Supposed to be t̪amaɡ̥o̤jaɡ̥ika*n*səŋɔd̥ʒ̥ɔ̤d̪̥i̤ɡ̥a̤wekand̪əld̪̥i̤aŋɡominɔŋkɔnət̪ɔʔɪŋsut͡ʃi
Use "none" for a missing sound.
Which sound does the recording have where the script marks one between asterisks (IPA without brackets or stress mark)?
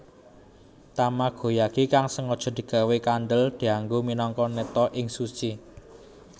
ŋ